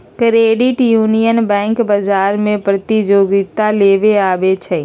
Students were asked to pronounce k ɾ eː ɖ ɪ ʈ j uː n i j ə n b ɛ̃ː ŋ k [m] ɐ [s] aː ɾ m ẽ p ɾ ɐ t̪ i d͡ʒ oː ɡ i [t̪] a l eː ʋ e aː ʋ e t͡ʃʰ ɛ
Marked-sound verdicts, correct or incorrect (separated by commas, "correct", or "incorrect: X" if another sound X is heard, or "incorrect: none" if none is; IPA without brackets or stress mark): incorrect: b, incorrect: z, correct